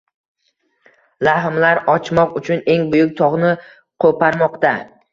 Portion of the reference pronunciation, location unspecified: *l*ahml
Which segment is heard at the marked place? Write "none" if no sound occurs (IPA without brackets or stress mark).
l